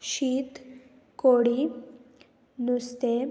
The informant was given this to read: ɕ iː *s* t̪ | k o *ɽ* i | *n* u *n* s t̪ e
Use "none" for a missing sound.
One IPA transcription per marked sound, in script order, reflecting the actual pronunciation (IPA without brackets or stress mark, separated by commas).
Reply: none, ɽ, n, none